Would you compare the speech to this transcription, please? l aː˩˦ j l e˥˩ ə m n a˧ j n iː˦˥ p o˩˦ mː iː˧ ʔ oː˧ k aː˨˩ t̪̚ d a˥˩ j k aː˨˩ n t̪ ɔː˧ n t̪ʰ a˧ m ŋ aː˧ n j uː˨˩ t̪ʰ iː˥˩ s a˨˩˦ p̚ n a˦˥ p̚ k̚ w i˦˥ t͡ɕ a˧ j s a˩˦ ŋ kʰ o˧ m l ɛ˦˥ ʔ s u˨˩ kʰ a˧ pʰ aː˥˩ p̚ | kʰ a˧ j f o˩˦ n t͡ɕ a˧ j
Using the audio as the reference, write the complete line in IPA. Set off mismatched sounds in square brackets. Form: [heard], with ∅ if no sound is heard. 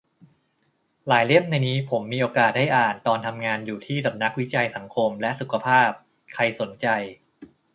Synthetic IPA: l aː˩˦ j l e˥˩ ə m n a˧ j n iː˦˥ [pʰ] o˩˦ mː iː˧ ʔ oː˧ k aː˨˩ t̪̚ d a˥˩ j [ʔ] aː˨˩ n t̪ ɔː˧ n t̪ʰ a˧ m ŋ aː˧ n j uː˨˩ t̪ʰ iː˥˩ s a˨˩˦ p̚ n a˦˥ [∅] k̚ w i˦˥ t͡ɕ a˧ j s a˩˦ ŋ kʰ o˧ m l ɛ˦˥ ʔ s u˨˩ kʰ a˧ pʰ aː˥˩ p̚ | kʰ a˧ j [s] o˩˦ n t͡ɕ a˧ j